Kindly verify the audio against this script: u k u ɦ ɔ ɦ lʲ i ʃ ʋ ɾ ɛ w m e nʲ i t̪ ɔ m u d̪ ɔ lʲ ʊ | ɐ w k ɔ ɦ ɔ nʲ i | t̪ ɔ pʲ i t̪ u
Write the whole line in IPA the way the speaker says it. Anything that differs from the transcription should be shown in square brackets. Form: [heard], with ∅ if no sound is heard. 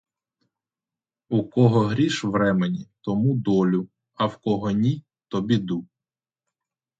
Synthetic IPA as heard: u k [ɔ] ɦ ɔ ɦ [ɾʲ] i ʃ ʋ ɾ ɛ [∅] m e nʲ i t̪ ɔ m u d̪ ɔ lʲ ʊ | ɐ w k ɔ ɦ ɔ nʲ i | t̪ ɔ [bʲ] i [d̪] u